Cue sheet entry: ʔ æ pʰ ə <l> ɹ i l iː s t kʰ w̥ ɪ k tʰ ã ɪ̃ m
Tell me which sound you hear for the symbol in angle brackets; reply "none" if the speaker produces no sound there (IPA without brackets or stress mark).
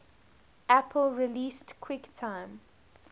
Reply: l